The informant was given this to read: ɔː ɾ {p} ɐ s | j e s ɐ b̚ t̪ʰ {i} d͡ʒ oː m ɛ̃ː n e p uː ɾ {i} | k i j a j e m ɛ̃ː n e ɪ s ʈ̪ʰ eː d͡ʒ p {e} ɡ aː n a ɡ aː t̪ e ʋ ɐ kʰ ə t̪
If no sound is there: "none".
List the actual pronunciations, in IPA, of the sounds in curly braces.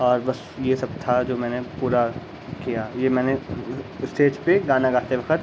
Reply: b, a, a, e

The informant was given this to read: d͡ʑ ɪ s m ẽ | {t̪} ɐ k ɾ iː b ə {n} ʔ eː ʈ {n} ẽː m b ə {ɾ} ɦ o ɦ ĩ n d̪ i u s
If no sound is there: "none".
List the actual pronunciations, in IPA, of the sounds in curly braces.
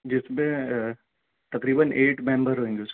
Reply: t̪, n, m, ɾ

